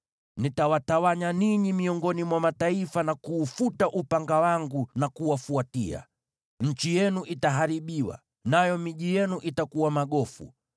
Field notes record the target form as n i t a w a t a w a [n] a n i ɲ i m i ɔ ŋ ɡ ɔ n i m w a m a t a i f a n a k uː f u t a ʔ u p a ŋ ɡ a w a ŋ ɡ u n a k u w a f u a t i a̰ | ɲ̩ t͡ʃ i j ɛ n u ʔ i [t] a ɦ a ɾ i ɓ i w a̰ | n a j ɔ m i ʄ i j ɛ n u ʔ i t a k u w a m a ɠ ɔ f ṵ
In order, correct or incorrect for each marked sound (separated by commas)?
incorrect, correct